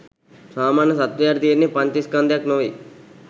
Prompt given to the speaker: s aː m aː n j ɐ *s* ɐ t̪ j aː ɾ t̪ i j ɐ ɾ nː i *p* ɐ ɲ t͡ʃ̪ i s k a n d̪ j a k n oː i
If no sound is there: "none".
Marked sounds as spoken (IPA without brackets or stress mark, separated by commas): s, p